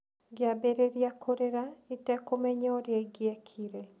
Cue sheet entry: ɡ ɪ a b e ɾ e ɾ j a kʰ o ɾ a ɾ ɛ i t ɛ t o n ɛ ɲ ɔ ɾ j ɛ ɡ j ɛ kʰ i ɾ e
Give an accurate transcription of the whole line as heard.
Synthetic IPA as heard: ɡ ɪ a b e ɾ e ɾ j a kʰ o ɾ e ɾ a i t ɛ k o m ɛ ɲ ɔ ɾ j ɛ ɡ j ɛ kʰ i ɾ e